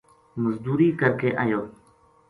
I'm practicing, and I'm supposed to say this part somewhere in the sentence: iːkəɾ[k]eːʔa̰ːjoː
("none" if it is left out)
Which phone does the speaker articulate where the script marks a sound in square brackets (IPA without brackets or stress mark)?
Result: k